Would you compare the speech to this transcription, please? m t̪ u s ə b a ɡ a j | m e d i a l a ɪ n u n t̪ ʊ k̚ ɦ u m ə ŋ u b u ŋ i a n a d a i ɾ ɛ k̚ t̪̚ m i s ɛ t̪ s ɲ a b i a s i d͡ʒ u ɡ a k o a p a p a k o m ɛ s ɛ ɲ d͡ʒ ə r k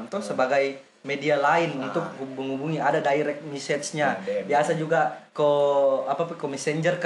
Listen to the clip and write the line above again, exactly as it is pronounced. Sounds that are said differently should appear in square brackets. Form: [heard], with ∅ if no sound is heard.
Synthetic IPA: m t̪ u s ə b a ɡ a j | m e d i a l a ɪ n u n t̪ ʊ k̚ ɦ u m ə ŋ u b u ŋ i a [d] a d a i ɾ ɛ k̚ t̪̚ m i s ɛ t̪ s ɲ a b i a s [a] d͡ʒ u ɡ a k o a p a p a k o m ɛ s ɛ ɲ d͡ʒ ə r k